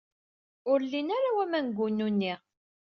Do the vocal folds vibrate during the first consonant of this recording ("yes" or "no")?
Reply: yes